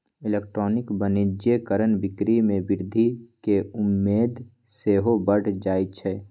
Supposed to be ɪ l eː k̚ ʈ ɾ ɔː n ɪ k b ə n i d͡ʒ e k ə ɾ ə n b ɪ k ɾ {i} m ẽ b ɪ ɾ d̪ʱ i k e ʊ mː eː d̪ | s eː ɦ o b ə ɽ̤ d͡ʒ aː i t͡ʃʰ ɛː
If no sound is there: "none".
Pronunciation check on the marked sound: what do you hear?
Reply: i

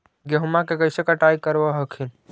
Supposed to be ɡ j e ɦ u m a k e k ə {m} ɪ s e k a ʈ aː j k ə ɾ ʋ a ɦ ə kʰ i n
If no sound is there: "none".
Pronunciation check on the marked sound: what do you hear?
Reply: none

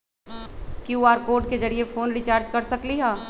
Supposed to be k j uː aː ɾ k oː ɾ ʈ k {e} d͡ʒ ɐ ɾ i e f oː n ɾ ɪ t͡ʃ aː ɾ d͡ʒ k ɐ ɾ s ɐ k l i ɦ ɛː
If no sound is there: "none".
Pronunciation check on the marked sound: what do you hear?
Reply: e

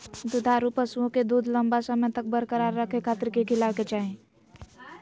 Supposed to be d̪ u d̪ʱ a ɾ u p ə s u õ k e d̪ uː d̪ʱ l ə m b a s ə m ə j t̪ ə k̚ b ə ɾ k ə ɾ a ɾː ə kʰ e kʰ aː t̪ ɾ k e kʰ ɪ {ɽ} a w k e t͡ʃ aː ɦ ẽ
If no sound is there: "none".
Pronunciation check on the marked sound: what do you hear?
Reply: l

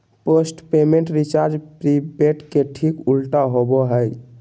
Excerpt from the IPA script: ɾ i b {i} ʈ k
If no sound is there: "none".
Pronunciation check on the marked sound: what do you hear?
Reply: e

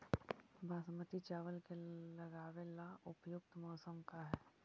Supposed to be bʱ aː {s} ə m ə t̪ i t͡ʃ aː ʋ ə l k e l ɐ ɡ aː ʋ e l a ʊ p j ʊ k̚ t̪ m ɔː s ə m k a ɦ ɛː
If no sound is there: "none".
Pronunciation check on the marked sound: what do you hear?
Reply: s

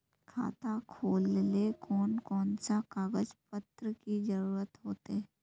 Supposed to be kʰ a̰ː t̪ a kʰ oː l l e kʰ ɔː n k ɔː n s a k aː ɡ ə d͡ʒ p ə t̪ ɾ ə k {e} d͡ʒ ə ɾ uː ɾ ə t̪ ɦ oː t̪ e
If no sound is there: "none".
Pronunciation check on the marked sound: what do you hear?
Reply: i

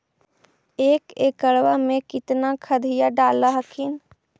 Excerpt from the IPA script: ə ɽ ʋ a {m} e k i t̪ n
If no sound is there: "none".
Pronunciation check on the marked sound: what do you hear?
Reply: m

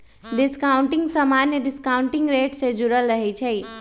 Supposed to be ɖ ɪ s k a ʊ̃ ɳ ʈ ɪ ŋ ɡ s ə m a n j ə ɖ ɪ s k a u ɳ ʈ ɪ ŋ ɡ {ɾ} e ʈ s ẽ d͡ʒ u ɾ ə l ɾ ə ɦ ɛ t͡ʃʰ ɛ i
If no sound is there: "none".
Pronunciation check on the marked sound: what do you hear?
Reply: ɾ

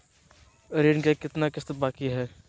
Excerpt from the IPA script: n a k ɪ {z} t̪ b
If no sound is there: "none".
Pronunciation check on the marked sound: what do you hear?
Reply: s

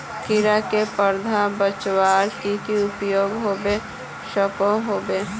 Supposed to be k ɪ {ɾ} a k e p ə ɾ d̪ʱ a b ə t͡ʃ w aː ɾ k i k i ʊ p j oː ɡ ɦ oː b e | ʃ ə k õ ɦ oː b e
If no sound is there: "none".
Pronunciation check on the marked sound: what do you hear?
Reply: ɾ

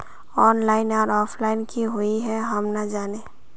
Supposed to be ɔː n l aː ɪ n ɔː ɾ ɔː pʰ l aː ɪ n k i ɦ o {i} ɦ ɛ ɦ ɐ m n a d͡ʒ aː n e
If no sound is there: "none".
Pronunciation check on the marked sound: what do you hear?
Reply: i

